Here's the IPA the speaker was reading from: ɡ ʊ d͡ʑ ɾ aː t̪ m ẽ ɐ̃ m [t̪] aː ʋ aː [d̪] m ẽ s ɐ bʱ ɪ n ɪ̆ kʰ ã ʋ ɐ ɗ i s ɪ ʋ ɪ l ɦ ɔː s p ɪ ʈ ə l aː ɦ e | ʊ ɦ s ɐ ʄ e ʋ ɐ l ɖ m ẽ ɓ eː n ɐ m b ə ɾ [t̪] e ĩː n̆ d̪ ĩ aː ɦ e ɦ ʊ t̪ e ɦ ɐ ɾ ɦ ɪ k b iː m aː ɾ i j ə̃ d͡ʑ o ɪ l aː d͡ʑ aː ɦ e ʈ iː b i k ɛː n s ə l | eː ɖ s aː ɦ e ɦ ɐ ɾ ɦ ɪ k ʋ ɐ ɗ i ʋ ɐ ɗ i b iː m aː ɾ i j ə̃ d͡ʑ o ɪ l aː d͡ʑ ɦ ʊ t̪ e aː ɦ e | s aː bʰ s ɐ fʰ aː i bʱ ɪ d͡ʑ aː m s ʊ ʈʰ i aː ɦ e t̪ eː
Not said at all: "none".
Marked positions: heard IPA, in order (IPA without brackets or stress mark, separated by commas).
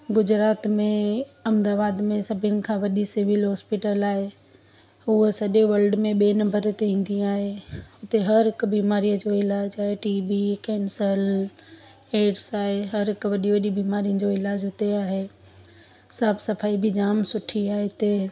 d̪, d̪, t̪